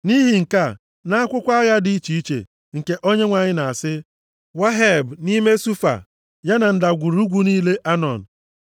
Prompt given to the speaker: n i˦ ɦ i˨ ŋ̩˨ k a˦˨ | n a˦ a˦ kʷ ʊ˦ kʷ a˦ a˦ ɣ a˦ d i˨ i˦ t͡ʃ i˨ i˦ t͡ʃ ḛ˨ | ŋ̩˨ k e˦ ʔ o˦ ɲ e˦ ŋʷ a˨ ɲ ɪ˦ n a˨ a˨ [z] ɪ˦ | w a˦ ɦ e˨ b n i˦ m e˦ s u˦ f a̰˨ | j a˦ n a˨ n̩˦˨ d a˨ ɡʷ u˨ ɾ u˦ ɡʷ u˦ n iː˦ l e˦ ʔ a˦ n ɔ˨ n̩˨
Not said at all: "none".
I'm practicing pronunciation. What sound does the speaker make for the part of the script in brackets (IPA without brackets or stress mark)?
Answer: s